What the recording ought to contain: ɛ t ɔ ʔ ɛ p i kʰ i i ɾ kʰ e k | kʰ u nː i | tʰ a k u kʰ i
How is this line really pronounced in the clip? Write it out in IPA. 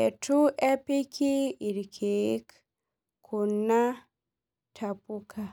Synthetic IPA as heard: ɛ t u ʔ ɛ p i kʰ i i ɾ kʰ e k | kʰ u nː a | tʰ a p u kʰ a